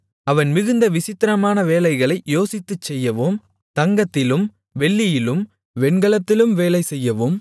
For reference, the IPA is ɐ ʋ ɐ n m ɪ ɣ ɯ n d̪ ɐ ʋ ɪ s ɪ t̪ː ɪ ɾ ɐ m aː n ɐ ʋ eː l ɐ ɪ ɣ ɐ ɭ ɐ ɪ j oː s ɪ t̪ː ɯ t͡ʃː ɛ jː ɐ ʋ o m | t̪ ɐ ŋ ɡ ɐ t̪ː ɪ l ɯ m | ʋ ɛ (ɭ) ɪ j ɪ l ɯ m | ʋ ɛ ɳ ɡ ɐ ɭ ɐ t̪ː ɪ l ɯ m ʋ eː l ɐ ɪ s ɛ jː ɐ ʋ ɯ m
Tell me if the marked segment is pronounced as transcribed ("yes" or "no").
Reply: no